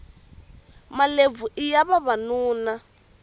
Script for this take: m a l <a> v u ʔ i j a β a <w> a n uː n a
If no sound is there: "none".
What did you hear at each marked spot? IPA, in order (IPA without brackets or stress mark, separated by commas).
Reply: e, β